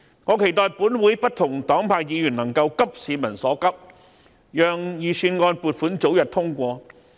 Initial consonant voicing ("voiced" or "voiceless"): voiced